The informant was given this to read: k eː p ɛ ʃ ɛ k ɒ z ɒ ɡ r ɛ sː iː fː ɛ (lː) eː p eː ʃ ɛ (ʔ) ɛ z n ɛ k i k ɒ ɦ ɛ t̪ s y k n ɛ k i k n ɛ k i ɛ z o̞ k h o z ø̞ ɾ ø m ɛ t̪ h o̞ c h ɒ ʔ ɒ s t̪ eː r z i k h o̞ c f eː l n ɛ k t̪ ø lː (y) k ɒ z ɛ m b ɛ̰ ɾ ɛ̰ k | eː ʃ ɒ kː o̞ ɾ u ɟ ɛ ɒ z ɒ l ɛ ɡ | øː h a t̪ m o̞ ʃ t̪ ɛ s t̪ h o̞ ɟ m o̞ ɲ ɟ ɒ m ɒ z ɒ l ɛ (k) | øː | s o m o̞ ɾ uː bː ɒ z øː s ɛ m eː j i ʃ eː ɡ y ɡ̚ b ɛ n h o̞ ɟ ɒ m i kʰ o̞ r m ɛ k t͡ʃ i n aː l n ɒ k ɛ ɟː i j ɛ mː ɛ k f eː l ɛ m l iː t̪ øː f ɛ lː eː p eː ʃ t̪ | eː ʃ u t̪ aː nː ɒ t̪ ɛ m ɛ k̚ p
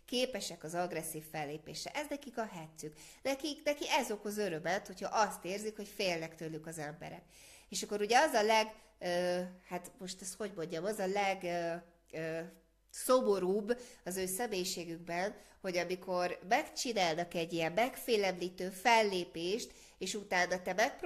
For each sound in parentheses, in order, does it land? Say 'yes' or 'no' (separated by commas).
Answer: yes, yes, yes, no